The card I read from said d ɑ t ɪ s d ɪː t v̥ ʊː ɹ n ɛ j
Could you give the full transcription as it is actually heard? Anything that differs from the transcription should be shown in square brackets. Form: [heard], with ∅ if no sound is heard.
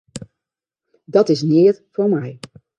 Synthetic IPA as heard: d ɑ t ɪ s [n] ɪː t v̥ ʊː ɹ [m] ɛ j